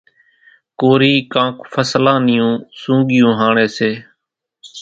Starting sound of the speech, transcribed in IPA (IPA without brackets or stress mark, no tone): k